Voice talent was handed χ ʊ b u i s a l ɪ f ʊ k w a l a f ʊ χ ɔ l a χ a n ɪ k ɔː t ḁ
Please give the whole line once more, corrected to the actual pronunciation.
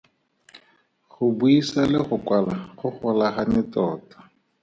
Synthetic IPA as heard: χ ʊ b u i s a l ɪ χ ʊ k w a l a χ ʊ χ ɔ l a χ a n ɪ t ɔː t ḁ